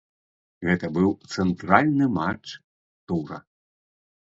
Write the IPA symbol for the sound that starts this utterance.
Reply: ɣ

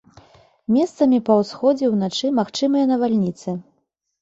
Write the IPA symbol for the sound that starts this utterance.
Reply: mʲ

